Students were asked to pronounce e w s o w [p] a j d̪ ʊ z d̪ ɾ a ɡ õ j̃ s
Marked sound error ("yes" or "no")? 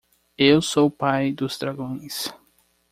no